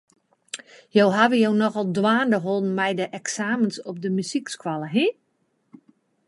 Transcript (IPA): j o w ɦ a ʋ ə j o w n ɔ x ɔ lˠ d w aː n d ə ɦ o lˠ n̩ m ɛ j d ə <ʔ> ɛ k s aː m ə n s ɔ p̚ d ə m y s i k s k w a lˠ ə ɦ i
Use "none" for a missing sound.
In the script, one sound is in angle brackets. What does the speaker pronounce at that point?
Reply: ʔ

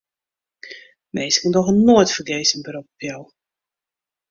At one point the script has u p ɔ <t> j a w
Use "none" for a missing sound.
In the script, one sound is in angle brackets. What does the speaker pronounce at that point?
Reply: p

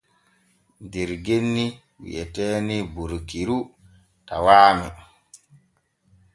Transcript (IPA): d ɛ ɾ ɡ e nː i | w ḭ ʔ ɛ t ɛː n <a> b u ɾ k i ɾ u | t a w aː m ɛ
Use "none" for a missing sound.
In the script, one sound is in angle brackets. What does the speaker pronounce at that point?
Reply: i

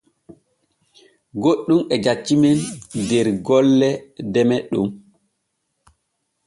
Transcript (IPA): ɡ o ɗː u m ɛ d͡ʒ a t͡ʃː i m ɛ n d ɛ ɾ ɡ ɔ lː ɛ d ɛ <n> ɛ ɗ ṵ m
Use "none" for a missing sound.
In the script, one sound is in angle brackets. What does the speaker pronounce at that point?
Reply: m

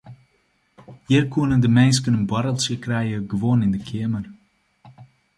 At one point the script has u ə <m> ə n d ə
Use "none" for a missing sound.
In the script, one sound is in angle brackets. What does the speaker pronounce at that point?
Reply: n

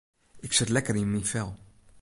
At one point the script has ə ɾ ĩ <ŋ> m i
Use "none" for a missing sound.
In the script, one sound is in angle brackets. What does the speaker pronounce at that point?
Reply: n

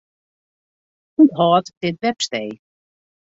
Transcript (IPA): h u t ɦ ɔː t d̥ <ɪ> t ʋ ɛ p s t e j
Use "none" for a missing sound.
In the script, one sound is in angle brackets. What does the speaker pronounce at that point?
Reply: ɪ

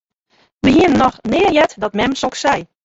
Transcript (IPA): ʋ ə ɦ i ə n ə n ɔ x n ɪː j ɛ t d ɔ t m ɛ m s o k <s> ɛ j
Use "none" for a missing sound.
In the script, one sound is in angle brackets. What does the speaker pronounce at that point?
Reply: s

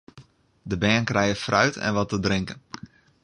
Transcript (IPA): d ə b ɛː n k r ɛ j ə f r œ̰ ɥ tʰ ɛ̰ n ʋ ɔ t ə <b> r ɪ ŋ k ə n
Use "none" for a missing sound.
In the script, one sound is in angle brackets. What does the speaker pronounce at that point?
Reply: d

